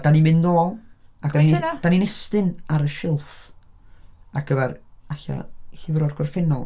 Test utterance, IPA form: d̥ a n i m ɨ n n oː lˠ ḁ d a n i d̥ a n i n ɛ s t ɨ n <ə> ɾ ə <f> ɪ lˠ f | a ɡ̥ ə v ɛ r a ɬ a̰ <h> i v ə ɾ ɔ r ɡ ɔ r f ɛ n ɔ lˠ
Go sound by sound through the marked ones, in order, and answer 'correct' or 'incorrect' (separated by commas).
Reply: incorrect, incorrect, correct